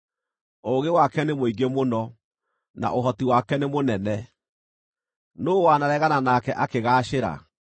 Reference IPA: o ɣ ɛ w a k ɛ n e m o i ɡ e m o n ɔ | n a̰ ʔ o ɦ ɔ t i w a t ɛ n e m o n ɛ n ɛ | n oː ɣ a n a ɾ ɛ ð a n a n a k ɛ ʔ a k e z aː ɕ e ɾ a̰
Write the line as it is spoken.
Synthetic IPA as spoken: o ɣ e w a k ɛ n e m o i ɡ e m o n ɔ | n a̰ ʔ o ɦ ɔ t i w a k ɛ n e m o n ɛ n ɛ | n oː w a n a ɾ ɛ ɣ a n a n a k ɛ ʔ a k e ɣ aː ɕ e ɾ a̰